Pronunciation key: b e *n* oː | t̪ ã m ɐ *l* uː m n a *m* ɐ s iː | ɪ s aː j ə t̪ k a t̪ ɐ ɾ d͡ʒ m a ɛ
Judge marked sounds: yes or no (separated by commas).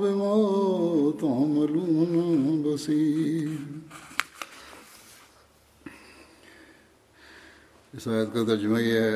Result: no, yes, no